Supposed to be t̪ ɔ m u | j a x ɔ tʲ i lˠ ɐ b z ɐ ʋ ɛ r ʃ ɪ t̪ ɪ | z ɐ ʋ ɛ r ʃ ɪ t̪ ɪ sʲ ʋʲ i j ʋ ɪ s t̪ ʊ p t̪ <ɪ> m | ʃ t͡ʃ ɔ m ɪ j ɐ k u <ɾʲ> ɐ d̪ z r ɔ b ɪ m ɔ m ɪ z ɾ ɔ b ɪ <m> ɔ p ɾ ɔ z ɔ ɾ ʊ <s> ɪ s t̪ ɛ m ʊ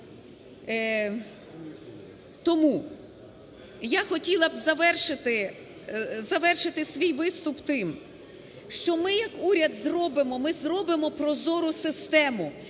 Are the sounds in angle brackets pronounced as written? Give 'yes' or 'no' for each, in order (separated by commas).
yes, yes, yes, yes